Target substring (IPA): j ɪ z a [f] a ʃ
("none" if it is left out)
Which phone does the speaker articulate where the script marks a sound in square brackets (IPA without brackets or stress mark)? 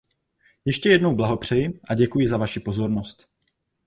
v